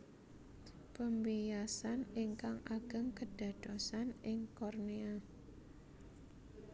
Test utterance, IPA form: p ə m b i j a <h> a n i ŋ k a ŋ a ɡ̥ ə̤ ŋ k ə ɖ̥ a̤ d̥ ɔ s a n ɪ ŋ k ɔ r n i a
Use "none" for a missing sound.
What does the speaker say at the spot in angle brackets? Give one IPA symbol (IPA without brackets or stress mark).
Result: s